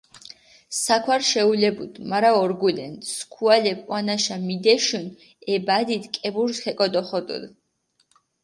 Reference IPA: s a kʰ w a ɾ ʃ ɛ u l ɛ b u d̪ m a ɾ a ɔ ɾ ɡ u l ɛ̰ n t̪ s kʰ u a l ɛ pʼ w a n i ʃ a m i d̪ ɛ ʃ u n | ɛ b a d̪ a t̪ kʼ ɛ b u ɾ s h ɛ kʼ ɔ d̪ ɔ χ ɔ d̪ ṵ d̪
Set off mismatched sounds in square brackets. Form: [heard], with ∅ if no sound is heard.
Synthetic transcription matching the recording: s a kʰ w a ɾ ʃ ɛ u l ɛ b u d̪ m a ɾ a ɔ ɾ ɡ u l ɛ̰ n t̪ s kʰ u a l ɛ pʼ w a n [a] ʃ a m i d̪ ɛ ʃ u n | ɛ b a d̪ [i] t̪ kʼ ɛ b u ɾ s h ɛ kʼ ɔ d̪ ɔ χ ɔ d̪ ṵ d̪